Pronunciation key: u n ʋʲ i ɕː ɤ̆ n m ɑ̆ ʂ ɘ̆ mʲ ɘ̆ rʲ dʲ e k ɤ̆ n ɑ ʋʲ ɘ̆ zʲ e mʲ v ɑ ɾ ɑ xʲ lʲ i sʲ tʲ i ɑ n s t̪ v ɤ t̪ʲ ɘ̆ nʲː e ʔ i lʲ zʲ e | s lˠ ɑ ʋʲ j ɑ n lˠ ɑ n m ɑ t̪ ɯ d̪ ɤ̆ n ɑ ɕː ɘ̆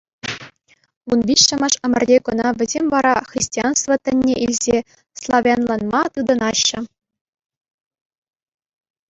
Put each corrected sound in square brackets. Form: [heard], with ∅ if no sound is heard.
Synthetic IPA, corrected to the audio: u n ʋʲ i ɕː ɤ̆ [∅] m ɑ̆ ʂ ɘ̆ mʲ ɘ̆ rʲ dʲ e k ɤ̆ n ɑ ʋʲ ɘ̆ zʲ e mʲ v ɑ ɾ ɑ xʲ [rʲ] i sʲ tʲ i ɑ n s t̪ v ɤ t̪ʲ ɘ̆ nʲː e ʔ i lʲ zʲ e | s lˠ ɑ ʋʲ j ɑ n lˠ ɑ n m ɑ t̪ ɯ d̪ ɤ̆ n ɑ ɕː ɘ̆